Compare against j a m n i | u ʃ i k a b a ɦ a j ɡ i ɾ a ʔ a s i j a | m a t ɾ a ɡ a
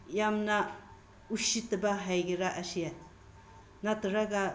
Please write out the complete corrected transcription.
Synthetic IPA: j a m n a | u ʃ i t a b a ɦ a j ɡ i ɾ a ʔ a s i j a | n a t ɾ a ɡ a